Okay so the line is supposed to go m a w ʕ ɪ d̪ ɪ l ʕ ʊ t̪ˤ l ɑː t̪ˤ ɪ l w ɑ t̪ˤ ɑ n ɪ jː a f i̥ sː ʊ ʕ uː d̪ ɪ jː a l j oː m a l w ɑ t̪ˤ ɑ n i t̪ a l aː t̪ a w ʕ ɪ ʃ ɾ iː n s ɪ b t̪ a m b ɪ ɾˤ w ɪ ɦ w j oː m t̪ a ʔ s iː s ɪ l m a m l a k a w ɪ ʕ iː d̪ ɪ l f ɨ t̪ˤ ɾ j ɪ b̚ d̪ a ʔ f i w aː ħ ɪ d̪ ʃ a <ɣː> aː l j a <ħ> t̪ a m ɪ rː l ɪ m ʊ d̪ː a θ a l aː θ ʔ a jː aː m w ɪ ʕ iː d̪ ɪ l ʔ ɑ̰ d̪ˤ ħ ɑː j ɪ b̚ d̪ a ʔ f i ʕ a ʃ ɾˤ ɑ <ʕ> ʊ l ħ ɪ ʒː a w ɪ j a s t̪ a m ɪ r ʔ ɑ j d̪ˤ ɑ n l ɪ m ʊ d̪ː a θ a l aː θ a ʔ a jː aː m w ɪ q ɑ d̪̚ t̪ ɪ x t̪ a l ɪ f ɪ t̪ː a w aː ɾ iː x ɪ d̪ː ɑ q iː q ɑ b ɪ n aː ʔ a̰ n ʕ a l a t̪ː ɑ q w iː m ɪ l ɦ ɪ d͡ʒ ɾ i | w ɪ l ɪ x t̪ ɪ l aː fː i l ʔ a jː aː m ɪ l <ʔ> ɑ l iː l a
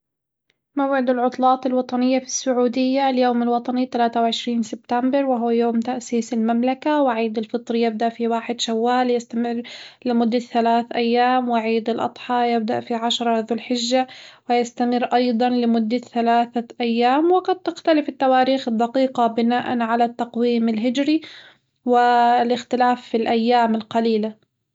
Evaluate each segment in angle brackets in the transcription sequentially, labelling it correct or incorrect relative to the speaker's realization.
incorrect: wː, incorrect: s, incorrect: ð, incorrect: q

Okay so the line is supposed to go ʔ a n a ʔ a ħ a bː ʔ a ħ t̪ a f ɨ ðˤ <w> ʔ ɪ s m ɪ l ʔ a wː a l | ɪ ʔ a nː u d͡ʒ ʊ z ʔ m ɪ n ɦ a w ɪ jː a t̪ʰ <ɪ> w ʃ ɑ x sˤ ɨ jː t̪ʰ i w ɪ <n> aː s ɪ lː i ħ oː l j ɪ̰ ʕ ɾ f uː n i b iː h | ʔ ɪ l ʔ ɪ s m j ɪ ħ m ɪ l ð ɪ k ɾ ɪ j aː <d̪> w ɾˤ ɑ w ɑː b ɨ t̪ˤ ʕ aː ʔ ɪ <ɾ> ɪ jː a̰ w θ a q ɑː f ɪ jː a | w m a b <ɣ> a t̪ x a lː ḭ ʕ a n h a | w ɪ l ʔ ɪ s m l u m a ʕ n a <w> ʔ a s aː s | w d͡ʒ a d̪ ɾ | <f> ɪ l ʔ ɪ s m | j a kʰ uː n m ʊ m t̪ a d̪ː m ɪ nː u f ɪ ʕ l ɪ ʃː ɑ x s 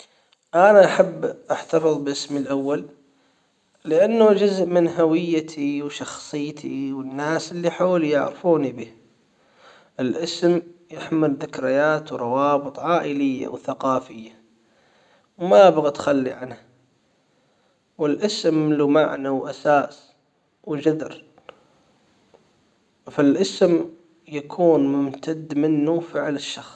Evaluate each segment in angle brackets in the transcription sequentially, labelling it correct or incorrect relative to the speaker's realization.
incorrect: b, incorrect: i, incorrect: nː, incorrect: t̪, incorrect: l, correct, correct, correct

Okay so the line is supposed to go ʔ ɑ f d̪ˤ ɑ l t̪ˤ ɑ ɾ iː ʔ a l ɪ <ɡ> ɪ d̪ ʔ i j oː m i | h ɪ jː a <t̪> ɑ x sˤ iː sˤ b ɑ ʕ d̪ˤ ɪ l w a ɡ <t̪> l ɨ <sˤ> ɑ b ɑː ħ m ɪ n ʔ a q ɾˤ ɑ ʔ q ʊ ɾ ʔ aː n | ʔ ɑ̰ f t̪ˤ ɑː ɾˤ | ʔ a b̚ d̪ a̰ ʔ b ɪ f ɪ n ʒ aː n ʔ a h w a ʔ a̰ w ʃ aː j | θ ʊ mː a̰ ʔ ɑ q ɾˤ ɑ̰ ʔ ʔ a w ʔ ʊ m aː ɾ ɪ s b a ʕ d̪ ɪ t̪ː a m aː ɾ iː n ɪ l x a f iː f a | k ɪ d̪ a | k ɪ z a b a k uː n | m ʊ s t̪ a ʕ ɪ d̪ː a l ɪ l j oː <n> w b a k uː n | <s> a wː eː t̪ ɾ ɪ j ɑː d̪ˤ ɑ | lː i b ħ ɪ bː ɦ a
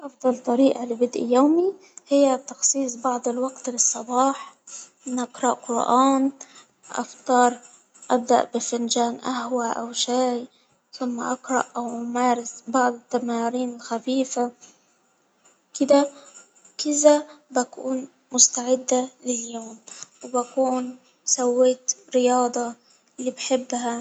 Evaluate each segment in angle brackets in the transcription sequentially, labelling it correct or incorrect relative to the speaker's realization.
incorrect: b, correct, correct, incorrect: sˤː, incorrect: m, correct

